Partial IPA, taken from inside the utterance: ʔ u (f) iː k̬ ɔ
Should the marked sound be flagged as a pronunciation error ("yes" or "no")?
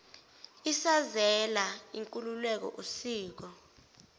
yes